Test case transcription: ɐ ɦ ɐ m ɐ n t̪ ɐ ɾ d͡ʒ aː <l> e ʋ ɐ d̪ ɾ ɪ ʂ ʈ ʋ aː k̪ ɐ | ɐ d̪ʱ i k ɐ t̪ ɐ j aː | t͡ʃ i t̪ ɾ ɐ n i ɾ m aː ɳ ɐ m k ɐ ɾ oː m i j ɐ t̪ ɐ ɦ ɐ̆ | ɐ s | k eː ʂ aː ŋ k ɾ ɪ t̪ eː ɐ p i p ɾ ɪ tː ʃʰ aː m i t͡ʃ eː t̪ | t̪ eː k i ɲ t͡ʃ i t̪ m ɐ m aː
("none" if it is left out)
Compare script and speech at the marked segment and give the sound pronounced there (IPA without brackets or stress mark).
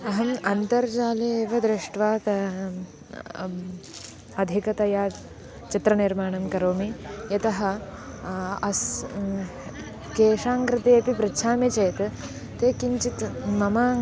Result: l